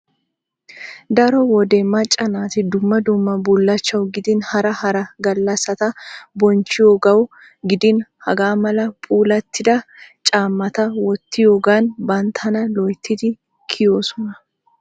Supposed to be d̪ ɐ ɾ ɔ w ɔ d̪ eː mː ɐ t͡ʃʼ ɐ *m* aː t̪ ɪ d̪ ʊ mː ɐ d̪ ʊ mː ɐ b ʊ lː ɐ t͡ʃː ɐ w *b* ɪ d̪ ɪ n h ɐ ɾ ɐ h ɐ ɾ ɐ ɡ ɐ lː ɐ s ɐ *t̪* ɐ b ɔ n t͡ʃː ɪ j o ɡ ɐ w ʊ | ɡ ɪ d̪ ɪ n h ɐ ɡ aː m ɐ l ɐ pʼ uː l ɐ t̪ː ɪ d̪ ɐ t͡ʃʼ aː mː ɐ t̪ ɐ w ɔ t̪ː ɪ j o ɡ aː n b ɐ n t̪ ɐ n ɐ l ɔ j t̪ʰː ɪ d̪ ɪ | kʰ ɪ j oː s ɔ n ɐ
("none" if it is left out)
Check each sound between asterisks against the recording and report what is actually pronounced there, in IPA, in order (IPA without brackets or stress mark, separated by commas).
n, ɡ, t̪